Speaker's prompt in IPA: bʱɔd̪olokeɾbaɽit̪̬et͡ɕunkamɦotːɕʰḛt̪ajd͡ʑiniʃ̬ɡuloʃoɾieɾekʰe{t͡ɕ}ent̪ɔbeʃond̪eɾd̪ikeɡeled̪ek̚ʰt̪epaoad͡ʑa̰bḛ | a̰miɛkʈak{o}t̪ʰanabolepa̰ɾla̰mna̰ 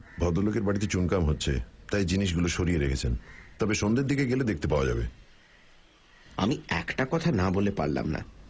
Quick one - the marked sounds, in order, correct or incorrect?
incorrect: t͡ɕʰ, incorrect: ɔ

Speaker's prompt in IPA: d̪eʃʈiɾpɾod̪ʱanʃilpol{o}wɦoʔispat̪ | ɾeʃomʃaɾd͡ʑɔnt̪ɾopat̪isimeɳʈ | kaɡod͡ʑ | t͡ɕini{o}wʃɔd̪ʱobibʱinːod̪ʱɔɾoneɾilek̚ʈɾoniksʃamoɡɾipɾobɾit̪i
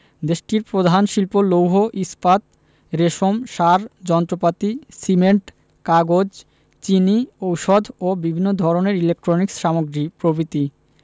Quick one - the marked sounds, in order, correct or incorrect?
correct, correct

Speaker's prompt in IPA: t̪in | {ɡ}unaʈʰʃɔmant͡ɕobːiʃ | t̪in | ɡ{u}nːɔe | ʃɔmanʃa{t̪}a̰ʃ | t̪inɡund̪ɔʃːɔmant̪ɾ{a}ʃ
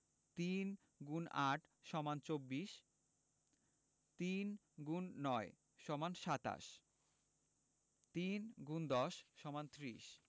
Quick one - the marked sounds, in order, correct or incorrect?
correct, correct, correct, incorrect: i

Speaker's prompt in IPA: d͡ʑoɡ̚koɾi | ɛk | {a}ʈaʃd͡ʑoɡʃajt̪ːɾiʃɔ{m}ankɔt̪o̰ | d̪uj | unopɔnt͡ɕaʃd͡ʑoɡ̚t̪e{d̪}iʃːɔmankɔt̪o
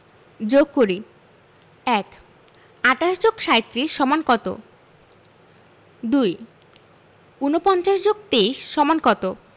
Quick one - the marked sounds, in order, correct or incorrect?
correct, correct, incorrect: none

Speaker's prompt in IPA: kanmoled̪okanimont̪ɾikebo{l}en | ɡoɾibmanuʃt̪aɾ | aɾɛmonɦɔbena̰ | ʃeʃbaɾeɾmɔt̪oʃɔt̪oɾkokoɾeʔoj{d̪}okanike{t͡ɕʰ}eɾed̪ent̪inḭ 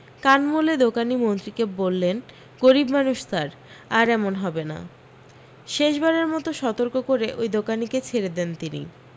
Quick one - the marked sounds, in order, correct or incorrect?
incorrect: lː, correct, correct

